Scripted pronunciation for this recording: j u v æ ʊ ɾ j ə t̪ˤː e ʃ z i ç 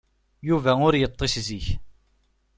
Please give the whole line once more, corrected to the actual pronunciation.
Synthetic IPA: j u v æ ʊ ɾ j ə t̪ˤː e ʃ z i ç